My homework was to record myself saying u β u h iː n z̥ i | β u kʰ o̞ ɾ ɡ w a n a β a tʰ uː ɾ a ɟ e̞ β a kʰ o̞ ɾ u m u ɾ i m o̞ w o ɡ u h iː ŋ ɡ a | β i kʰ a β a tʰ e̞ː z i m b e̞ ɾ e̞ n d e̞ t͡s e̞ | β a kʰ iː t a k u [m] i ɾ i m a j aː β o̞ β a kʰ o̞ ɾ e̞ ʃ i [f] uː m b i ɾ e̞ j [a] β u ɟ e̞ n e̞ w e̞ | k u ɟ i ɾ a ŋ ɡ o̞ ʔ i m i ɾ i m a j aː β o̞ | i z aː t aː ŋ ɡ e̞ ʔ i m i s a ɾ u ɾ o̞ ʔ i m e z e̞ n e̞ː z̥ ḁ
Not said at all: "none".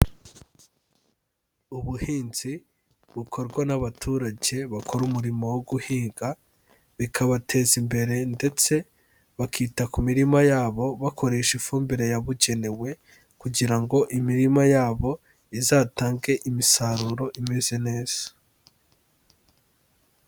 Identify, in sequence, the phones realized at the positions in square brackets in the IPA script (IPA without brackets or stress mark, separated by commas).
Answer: m, f, a